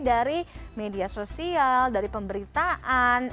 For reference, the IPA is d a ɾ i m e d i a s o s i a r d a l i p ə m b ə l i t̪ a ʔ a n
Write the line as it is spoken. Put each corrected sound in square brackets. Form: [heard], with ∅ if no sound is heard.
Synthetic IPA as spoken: d a ɾ i m e d i a s o s i a [l] d a [ɾ] i p ə m b ə [ɾ] i t̪ a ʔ a n